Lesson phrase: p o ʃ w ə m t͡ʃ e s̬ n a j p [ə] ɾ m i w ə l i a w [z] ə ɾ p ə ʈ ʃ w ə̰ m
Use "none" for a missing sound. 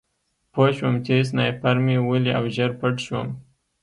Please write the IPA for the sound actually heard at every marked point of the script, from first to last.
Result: a, ʒ

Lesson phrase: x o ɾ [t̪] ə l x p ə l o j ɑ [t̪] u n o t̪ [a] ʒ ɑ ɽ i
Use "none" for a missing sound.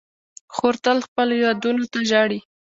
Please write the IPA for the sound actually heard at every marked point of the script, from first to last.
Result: t̪, d̪, a

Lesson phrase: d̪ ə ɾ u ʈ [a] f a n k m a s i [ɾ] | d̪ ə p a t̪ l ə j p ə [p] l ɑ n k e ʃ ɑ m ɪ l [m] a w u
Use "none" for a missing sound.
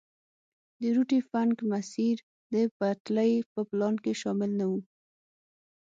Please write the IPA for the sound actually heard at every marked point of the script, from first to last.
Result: i, ɾ, p, n

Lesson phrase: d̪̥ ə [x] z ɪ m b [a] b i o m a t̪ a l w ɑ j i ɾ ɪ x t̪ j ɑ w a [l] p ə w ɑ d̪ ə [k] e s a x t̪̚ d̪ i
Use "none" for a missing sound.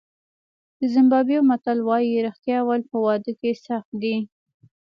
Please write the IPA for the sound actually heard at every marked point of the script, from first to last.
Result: none, ɑ, l, k

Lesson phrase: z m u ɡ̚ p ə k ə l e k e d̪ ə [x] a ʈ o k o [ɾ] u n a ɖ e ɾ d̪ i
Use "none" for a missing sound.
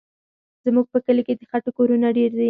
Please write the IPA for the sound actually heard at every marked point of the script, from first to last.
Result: x, ɾ

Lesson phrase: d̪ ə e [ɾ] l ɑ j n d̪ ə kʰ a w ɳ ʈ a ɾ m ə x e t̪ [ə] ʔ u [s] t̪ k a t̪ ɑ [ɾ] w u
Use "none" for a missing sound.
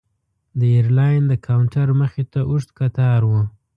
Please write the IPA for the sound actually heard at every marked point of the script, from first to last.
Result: ɾ, a, ʂ, ɾ

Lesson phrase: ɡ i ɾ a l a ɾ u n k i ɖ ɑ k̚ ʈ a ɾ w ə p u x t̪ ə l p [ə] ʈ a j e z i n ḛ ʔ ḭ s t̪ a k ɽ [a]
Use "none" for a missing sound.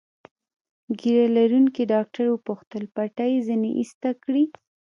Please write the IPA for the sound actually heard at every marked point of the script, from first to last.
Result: a, i

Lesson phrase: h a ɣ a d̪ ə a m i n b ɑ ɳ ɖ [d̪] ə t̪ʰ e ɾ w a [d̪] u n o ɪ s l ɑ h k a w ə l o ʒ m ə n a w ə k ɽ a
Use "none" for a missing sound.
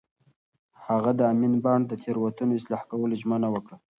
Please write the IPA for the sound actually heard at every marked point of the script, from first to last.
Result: d̪, t̪

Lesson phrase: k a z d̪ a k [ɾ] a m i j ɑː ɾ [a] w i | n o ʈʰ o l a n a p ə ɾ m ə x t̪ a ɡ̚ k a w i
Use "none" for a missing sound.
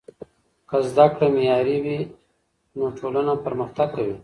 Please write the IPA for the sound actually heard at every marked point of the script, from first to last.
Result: ɽ, i

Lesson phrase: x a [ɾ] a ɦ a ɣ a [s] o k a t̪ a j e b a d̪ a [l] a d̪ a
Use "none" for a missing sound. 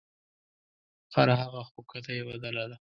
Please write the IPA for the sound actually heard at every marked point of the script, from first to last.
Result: ɾ, x, l

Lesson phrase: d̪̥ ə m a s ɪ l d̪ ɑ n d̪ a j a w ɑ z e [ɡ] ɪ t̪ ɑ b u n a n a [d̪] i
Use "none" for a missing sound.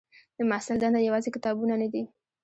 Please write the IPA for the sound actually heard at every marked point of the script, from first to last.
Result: k, d̪

